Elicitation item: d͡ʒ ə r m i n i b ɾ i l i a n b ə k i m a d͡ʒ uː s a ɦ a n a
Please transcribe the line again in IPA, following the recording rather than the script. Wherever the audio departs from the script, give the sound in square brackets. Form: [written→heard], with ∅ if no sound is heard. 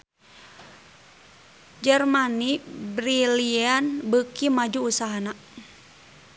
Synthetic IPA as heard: d͡ʒ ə r m [i→a] n i b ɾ i l i a n b ə k i m a d͡ʒ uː s a ɦ a n a

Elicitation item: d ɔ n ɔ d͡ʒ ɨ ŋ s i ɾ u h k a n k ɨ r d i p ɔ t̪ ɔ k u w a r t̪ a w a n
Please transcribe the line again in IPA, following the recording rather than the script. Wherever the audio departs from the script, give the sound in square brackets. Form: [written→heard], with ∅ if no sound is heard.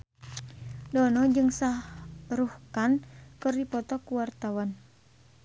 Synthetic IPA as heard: d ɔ n ɔ d͡ʒ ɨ ŋ s [i→a] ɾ u h k a n k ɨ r d i p ɔ t̪ ɔ k u w a r t̪ a w a n

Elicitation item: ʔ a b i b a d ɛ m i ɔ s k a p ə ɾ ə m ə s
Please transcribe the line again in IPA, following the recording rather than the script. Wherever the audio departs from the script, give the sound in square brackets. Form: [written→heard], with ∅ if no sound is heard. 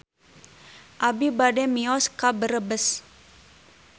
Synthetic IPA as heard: ʔ a b i b a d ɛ m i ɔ s k a [p→b] ə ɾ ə [m→b] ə s

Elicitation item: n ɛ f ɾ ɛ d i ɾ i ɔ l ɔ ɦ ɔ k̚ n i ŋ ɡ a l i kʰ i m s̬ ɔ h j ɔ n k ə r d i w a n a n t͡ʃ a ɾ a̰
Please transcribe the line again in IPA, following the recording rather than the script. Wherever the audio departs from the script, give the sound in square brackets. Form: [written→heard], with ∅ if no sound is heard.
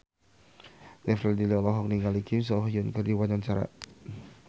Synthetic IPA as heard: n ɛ f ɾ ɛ d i [ɾ→l] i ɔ l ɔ ɦ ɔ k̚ n i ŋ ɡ a l i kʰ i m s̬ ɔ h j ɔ n k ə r d i w a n a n t͡ʃ a ɾ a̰

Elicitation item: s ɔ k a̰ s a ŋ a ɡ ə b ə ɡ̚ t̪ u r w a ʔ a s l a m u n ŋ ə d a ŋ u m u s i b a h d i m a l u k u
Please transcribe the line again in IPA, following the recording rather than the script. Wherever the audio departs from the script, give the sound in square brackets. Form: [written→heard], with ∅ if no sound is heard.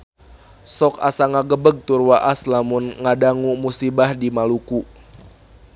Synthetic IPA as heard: s ɔ k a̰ s a ŋ a ɡ ə b ə ɡ̚ t̪ u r w a ʔ a s l a m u n ŋ [ə→a] d a ŋ u m u s i b a h d i m a l u k u

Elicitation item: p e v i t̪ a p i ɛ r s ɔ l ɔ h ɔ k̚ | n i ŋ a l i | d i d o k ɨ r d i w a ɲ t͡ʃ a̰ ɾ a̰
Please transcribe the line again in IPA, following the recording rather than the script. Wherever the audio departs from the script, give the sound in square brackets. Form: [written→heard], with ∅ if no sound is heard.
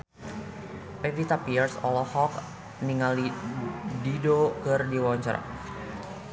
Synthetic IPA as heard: p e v i t̪ a p i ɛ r s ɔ l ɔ h ɔ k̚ | n i ŋ a l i | d i d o k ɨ r d i w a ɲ t͡ʃ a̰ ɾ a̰

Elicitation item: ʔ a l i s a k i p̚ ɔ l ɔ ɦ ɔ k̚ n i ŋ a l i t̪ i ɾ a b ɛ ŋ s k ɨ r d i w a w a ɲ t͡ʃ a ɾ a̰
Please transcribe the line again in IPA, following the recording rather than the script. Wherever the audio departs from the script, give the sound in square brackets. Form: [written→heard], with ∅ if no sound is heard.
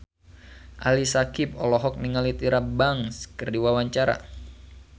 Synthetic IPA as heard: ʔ a l i s a k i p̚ ɔ l ɔ ɦ ɔ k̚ n i ŋ a l i t̪ i ɾ a b [ɛ→a] ŋ s k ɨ r d i w a w a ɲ t͡ʃ a ɾ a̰

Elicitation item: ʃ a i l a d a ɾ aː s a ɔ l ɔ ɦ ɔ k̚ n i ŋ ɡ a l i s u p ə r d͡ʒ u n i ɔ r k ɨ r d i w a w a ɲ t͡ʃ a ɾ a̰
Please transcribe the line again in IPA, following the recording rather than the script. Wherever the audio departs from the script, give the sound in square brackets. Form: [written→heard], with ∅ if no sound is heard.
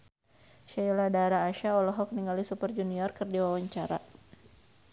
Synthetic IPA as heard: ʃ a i l a d a ɾ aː [s→ʃ] a ɔ l ɔ ɦ ɔ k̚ n i ŋ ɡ a l i s u p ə r d͡ʒ u n i ɔ r k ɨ r d i w a w a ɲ t͡ʃ a ɾ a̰

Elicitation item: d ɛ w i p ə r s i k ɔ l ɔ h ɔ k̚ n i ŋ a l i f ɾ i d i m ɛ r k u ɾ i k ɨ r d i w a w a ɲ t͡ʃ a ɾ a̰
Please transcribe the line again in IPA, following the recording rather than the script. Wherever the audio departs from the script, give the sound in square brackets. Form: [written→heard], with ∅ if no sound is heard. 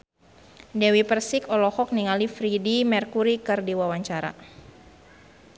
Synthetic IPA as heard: d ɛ w i p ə r s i k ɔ l ɔ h ɔ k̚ n i ŋ a l i f ɾ i d i m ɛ r k u ɾ i k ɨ r d i w a w a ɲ t͡ʃ a ɾ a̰

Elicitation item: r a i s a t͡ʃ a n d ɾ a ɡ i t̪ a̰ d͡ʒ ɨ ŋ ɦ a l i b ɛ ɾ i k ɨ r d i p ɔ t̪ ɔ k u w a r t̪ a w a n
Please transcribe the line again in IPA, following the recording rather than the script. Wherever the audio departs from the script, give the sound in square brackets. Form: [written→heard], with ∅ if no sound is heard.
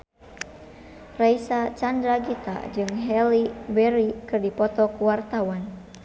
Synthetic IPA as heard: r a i s a t͡ʃ a n d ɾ a ɡ i t̪ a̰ d͡ʒ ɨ ŋ ɦ [a→ɛ] l i b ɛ ɾ i k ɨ r d i p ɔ t̪ ɔ k u w a r t̪ a w a n

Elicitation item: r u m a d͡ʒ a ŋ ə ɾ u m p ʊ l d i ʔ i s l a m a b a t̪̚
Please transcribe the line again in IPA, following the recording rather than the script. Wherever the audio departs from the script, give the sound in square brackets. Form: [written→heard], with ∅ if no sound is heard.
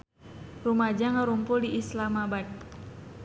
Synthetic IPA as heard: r u m a d͡ʒ a ŋ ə ɾ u m p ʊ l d i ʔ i s l a m a b a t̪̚

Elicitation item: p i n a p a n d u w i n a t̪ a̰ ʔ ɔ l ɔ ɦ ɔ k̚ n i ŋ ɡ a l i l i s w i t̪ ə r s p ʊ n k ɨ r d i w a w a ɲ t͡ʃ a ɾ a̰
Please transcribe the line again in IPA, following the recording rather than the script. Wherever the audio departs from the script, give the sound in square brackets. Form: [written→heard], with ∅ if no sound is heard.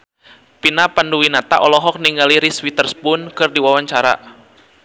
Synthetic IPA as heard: p i n a p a n d u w i n a t̪ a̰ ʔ ɔ l ɔ ɦ ɔ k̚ n i ŋ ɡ a l i [l→ɾ] i s w i t̪ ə r s p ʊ n k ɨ r d i w a w a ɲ t͡ʃ a ɾ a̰

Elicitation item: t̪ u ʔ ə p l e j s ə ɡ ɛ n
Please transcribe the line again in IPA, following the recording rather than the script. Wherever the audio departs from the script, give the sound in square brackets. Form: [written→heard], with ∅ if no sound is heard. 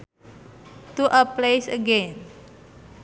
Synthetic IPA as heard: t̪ u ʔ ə p l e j s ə ɡ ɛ n

